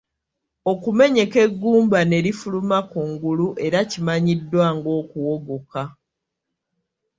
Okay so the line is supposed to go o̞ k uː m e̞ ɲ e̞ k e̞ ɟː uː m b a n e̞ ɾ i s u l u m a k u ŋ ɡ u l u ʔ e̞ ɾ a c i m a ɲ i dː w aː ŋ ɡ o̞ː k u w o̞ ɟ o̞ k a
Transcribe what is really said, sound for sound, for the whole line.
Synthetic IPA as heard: o̞ k u m e̞ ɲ e̞ k e̞ ɡː uː m b a n e̞ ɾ i f u l u m a k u ŋ ɡ u l u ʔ e̞ ɾ a c i m a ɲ i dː w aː ŋ ɡ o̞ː k u w o̞ ɡ o̞ k a